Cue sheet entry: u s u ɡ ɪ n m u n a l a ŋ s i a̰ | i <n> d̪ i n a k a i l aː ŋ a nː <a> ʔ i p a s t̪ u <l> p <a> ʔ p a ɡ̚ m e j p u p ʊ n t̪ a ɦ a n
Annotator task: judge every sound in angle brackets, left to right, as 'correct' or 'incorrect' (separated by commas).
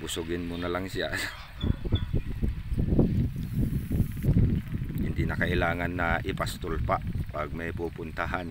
correct, correct, correct, correct